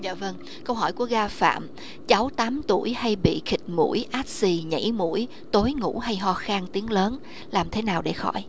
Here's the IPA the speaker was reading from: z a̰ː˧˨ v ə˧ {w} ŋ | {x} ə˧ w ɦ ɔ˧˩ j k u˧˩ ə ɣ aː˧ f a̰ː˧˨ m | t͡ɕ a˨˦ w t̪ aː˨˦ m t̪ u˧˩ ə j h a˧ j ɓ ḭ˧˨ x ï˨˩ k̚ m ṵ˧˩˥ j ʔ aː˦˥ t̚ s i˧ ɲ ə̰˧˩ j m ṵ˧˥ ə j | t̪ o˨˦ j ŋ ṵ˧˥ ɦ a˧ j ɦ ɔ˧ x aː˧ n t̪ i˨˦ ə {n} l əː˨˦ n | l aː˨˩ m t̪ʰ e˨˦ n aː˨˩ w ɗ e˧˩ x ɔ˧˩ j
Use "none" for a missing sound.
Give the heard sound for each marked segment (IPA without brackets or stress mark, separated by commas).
none, k, ŋ